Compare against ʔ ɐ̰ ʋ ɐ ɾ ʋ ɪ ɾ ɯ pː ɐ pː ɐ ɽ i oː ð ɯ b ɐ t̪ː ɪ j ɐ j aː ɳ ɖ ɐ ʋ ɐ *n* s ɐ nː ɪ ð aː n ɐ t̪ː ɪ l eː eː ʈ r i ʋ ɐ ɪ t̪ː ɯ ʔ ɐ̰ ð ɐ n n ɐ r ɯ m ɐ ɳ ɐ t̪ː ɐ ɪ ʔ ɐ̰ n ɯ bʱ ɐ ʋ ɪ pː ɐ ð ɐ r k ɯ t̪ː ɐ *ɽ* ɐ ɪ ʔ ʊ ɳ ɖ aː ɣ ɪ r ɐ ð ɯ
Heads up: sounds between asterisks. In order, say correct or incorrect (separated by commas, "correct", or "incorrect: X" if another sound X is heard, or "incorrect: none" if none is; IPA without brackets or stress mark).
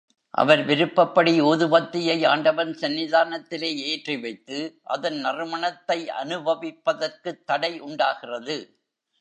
correct, correct